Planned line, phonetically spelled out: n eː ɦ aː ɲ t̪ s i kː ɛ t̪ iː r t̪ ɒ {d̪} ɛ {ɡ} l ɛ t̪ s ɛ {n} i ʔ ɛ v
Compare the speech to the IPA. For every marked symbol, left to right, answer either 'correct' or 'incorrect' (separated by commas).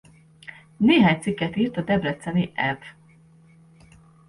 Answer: correct, incorrect, correct